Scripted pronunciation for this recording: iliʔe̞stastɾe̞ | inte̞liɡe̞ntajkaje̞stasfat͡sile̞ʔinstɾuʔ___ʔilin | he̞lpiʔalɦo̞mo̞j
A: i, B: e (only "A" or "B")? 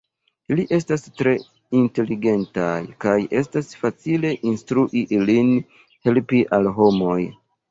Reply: A